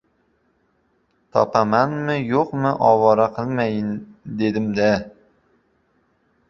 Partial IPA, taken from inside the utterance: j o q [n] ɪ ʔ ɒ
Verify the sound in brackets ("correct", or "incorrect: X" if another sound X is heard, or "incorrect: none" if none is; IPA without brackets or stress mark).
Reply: incorrect: m